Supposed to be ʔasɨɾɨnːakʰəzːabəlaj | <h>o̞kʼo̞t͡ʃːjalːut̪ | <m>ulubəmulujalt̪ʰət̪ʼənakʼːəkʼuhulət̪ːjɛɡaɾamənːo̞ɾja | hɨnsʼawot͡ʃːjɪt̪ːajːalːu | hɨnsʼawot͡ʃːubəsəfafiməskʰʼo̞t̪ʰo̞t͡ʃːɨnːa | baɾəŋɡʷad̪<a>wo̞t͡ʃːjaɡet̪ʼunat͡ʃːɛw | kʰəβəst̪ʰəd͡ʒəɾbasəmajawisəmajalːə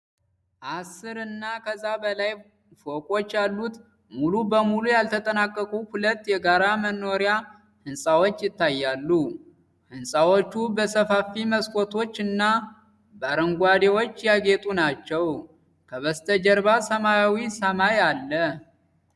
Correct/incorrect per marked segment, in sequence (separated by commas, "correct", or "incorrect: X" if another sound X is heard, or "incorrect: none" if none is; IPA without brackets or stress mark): incorrect: f, correct, incorrect: e